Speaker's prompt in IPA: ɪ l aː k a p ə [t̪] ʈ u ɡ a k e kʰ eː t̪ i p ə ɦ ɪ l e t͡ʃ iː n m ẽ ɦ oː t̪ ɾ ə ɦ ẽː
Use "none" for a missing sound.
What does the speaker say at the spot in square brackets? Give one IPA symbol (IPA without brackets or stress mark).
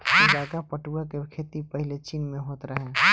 none